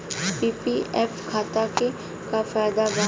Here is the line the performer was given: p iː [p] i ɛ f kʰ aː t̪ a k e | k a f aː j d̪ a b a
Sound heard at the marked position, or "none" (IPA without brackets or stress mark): p